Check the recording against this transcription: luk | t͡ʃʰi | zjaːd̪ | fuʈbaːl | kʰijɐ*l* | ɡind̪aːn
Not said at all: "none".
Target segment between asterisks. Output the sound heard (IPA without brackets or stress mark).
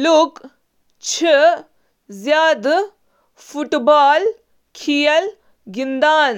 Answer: l